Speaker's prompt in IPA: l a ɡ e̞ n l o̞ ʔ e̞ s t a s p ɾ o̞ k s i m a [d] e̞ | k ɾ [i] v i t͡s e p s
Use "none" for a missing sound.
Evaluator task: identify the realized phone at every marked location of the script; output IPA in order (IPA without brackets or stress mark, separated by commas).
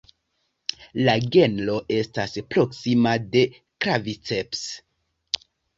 d, a